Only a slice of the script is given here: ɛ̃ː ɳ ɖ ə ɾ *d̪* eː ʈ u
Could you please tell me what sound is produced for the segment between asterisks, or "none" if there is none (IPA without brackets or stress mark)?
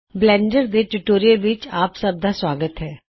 d̪